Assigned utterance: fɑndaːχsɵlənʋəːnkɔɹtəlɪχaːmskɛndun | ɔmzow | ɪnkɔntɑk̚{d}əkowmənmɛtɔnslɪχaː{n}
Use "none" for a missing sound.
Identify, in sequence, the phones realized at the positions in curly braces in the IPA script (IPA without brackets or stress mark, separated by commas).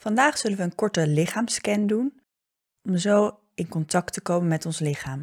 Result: t, m